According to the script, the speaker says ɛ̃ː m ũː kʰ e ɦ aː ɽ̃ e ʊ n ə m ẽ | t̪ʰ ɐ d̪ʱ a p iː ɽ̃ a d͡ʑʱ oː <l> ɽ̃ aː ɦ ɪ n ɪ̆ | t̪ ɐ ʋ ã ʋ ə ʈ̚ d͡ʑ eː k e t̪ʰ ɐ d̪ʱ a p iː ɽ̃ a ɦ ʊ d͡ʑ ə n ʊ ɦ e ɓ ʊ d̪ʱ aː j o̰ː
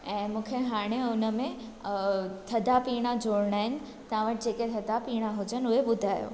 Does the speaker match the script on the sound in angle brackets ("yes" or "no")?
no